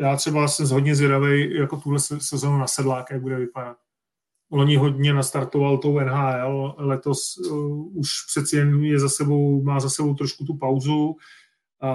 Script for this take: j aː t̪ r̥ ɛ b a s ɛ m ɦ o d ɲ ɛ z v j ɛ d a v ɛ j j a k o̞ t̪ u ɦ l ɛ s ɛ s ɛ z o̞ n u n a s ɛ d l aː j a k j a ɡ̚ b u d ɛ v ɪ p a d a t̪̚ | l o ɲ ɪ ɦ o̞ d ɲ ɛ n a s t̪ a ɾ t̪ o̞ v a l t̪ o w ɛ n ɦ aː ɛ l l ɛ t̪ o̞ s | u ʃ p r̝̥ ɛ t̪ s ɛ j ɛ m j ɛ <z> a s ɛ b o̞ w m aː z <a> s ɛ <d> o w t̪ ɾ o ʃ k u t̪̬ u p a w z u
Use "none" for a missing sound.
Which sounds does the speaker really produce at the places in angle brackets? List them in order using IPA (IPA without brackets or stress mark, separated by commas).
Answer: z, a, b